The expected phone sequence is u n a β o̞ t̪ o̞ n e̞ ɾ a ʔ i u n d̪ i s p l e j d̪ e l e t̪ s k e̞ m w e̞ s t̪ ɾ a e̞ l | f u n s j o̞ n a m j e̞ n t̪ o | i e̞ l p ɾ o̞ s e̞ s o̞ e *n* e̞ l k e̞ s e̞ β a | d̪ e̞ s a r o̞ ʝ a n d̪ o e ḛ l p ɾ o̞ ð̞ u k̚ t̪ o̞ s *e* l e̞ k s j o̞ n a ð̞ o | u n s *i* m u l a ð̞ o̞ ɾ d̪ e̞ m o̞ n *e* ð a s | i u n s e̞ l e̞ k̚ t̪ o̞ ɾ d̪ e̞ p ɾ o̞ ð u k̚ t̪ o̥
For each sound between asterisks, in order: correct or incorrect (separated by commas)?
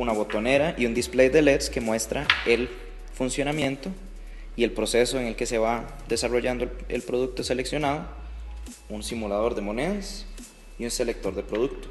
incorrect, correct, correct, correct